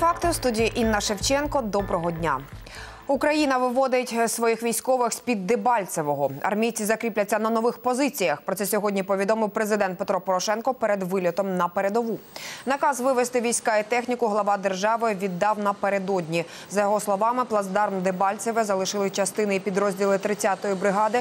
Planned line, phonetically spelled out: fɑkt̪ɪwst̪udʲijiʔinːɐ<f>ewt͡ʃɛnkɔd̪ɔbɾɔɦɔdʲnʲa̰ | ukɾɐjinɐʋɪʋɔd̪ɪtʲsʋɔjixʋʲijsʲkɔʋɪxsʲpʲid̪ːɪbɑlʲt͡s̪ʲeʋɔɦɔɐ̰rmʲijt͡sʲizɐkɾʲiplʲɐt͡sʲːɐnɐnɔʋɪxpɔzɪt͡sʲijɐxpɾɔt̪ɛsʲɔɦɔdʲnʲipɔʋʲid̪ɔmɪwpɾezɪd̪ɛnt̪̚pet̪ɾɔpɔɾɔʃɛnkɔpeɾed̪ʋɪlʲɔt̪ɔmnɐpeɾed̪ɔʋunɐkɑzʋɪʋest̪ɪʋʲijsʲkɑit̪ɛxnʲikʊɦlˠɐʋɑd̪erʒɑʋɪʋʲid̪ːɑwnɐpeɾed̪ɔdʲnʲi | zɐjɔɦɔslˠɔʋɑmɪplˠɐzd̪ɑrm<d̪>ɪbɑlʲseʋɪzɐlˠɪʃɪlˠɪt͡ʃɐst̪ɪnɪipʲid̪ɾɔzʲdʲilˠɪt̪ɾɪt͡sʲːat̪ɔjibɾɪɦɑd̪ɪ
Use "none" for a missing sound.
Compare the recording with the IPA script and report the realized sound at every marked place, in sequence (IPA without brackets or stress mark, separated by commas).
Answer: ʃ, d̪